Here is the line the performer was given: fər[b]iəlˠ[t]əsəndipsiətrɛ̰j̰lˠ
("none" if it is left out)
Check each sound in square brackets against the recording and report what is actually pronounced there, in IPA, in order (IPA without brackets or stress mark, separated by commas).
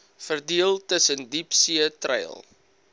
d, t